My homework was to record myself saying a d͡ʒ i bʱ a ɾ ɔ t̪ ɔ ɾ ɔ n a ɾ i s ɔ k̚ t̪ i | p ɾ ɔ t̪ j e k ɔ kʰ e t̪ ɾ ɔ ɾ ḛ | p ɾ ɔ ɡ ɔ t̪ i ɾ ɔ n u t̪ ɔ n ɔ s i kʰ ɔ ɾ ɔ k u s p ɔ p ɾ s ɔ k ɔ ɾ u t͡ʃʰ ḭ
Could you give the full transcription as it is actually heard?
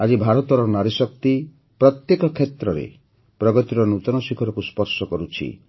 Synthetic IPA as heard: a d͡ʒ i bʱ a ɾ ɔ t̪ ɔ ɾ ɔ n a ɾ i s ɔ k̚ t̪ i | p ɾ ɔ t̪ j e k ɔ kʰ e t̪ ɾ ɔ ɾ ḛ | p ɾ ɔ ɡ ɔ t̪ i ɾ ɔ n u t̪ ɔ n ɔ s i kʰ ɔ ɾ ɔ k u s p ɔ ɾ s ɔ k ɔ ɾ u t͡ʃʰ ḭ